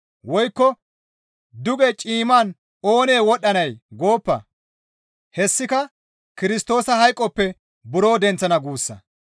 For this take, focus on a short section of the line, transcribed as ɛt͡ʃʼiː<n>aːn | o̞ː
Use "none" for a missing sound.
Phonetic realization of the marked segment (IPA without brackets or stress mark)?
m